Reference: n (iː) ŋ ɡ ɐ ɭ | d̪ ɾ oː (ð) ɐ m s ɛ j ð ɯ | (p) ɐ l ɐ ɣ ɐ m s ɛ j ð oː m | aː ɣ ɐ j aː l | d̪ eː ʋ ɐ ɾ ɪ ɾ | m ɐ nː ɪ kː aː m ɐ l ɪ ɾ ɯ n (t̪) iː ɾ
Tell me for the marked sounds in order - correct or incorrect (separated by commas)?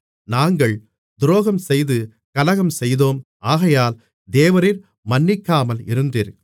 incorrect, incorrect, incorrect, incorrect